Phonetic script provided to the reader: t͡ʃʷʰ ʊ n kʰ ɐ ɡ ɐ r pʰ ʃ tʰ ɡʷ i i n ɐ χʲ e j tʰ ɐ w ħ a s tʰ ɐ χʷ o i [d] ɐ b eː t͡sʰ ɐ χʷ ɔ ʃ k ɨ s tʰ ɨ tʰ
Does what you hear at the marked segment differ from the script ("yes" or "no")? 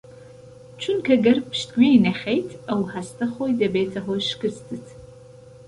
no